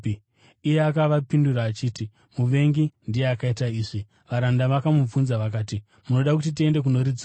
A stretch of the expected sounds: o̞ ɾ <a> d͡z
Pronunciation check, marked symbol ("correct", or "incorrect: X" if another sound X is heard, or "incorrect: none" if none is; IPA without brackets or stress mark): incorrect: i